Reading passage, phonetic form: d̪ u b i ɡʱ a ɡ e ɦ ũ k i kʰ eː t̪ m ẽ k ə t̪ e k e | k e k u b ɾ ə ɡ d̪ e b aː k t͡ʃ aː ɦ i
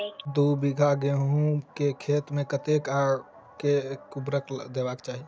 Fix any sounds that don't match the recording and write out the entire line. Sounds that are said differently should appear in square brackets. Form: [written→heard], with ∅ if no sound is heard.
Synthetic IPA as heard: d̪ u b i ɡʱ a ɡ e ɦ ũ k [i→e] kʰ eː t̪ m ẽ k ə t̪ e k [e→a] | k e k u b ɾ ə [ɡ→k] d̪ e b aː k t͡ʃ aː ɦ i